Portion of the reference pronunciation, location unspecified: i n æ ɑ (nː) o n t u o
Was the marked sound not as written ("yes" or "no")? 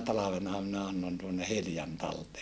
no